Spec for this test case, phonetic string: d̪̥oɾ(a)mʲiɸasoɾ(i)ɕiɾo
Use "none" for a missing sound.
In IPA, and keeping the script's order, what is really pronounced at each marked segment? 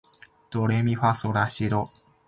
e, a

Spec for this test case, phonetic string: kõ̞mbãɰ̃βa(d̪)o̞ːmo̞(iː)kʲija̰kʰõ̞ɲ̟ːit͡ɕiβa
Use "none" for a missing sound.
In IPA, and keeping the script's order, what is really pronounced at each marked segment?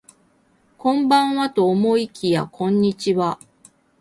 t̪, i

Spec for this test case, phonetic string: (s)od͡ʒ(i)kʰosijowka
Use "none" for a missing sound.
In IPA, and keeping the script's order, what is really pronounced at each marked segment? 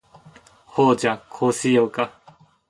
h, a

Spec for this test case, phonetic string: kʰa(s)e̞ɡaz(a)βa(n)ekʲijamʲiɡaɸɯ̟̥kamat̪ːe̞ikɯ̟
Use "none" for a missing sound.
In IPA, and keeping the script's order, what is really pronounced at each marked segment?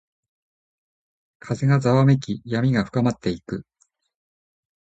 z, a, m

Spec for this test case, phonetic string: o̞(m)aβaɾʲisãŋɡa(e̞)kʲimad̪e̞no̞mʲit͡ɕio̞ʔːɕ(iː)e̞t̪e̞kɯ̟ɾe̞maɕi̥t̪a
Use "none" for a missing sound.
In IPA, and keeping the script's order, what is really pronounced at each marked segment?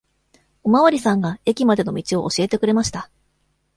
m, e̞, i

